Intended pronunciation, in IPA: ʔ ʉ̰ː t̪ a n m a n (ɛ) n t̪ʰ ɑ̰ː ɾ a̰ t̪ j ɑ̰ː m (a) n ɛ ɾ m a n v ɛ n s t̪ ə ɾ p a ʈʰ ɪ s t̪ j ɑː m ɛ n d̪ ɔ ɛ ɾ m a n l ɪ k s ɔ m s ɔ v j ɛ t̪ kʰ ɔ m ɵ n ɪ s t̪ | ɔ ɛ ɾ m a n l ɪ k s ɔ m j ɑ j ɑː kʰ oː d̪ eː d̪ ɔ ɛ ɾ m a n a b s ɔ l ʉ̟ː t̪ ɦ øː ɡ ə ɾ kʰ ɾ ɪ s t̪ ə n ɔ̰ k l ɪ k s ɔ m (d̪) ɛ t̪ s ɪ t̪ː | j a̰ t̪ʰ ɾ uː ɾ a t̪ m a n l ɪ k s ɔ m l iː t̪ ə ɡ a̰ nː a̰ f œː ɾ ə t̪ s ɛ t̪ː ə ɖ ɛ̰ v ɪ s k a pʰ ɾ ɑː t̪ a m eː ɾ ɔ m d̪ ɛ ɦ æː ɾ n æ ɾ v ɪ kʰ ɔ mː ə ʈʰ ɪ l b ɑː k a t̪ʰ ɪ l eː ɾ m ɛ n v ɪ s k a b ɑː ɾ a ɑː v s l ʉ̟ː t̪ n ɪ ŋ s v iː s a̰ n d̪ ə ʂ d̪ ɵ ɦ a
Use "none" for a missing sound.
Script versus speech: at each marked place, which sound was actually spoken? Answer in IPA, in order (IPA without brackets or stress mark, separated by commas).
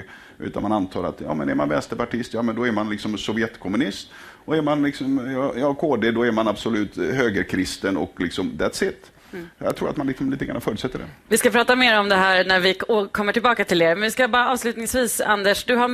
a, ɛ, d̪